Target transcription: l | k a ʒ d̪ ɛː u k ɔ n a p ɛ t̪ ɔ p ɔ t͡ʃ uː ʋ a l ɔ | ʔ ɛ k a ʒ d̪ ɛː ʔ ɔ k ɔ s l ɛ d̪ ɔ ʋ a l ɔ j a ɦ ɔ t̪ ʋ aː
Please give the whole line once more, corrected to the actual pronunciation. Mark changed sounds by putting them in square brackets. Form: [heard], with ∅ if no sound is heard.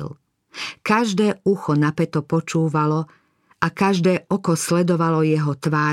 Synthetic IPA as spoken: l | k a ʒ d̪ ɛː u [x] ɔ n a p ɛ t̪ ɔ p ɔ t͡ʃ uː ʋ a l ɔ | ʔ [a] k a ʒ d̪ ɛː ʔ ɔ k ɔ s l ɛ d̪ ɔ ʋ a l ɔ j [ɛ] ɦ ɔ t̪ ʋ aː